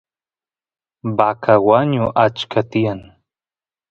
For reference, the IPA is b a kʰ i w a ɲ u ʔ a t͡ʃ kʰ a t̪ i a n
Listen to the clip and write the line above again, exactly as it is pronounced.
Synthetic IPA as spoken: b a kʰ a w a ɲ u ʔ a t͡ʃ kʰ a t̪ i a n